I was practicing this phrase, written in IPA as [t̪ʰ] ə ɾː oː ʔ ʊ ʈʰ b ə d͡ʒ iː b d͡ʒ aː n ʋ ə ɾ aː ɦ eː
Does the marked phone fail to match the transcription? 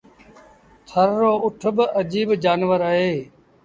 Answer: no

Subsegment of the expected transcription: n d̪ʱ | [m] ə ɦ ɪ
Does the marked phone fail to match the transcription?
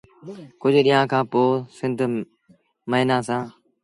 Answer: no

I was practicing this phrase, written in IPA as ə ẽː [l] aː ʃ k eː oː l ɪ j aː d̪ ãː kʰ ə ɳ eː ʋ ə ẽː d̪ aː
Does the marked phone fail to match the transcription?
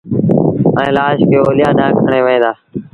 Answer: no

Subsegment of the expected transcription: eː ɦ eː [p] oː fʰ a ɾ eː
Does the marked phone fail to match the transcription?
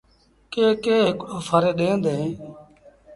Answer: yes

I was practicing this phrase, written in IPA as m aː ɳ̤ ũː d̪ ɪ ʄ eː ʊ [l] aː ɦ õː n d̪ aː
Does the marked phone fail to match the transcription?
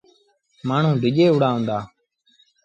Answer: yes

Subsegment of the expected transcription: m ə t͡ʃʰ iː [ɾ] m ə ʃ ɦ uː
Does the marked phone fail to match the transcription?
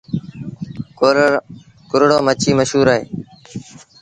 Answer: yes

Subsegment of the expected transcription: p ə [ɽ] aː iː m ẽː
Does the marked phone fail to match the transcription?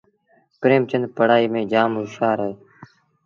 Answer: no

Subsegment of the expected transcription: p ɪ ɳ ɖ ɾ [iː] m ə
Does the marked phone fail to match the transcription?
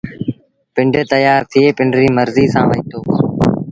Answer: no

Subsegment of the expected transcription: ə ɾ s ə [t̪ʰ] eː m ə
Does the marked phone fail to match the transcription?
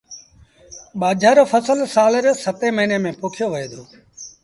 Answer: yes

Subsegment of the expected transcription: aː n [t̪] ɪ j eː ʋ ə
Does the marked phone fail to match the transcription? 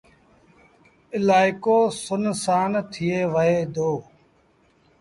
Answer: yes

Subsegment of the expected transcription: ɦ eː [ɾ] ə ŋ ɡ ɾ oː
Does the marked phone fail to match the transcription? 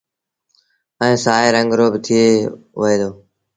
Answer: no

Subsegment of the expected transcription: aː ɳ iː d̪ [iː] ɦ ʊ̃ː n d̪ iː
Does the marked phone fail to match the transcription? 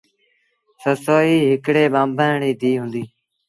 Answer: no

